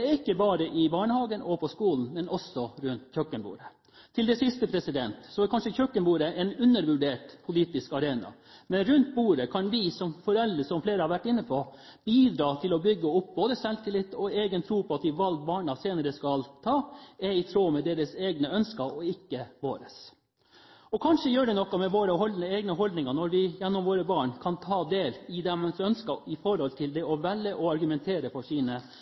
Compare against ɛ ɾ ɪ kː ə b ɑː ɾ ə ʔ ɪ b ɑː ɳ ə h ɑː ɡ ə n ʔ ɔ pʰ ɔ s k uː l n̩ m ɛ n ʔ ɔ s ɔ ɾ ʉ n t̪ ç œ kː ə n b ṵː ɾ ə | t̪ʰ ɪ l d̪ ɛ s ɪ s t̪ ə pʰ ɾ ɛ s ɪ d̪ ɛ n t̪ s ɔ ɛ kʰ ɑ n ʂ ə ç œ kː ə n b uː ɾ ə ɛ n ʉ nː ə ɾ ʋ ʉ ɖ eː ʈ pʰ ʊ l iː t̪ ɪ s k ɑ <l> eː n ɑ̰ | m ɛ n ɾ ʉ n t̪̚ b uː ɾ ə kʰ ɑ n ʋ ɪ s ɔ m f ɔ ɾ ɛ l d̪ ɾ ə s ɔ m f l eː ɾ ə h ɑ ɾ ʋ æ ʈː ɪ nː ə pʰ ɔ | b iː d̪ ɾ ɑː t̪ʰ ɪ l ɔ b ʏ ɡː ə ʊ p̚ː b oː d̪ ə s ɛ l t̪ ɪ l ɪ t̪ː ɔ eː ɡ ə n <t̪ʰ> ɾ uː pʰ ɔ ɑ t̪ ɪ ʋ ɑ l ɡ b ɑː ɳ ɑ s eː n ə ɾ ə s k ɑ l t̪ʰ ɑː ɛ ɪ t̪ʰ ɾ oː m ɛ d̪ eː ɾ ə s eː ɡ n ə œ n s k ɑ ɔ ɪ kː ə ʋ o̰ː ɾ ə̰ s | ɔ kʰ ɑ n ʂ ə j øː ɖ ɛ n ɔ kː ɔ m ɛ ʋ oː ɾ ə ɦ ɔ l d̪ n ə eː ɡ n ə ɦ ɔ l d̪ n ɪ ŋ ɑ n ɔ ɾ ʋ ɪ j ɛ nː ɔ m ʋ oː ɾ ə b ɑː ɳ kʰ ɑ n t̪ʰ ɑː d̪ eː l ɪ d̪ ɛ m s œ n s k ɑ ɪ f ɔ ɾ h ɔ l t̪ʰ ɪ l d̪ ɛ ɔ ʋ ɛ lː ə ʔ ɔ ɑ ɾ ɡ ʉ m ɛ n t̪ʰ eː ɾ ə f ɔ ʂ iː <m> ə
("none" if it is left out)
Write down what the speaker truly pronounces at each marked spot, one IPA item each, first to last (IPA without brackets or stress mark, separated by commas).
ɾ, t̪ʰ, n